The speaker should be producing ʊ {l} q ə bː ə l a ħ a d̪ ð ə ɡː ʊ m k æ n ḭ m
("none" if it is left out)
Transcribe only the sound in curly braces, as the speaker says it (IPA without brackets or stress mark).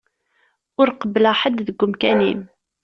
ɾ